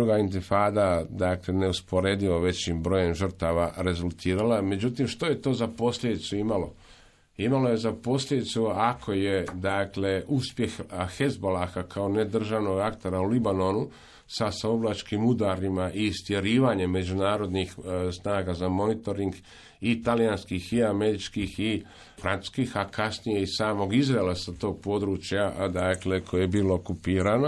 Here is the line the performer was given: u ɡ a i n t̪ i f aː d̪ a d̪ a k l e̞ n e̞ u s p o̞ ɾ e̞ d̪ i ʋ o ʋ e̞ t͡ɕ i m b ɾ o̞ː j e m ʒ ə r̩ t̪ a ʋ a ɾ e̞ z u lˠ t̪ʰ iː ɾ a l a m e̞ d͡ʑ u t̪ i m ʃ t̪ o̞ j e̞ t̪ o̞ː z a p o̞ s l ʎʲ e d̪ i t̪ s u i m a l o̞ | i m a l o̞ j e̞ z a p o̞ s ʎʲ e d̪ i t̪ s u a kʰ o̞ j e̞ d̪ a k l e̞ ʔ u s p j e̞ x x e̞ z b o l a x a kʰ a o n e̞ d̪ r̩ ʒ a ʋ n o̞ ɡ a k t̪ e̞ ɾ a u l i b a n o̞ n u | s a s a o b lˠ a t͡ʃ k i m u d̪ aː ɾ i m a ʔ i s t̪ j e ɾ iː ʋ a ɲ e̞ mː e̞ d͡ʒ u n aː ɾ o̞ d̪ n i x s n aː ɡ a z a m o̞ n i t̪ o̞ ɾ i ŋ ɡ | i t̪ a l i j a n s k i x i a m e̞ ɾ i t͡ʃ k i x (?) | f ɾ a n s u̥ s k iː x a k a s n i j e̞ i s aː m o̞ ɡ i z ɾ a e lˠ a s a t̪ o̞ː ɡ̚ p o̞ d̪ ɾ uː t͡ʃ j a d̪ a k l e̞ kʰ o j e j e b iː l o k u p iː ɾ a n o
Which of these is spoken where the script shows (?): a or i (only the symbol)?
i